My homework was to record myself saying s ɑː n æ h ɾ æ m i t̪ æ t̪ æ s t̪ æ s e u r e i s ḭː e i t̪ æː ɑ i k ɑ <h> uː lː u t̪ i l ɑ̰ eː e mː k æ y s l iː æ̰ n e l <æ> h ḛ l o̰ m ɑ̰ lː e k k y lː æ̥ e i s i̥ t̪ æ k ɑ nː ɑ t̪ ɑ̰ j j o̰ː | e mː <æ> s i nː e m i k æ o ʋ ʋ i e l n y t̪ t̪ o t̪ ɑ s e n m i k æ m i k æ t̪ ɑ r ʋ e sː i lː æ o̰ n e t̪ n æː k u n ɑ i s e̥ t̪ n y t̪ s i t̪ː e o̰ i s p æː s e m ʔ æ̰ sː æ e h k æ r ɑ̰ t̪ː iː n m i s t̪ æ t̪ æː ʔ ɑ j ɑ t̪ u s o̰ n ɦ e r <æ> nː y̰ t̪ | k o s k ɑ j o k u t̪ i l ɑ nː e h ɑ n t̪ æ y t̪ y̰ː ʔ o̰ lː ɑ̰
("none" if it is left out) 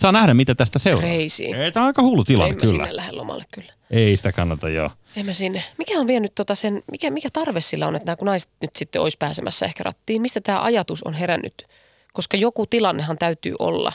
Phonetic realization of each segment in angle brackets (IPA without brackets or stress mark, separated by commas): h, æ, æ, æ